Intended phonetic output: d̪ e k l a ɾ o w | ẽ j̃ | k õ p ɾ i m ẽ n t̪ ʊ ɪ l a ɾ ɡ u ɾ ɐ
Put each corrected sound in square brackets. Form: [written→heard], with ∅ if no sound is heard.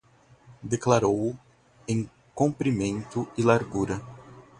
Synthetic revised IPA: d̪ e k l a ɾ o w | ẽ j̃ | k õ p ɾ i m ẽ n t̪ ʊ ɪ l a ɾ ɡ u ɾ ɐ